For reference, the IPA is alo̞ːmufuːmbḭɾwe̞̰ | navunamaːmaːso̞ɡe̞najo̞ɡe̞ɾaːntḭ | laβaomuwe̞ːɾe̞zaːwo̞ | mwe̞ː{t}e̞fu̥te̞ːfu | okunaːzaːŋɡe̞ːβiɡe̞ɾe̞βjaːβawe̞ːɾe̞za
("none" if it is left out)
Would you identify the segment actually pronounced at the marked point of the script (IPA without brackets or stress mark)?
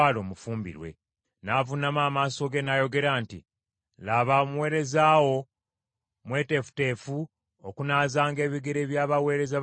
t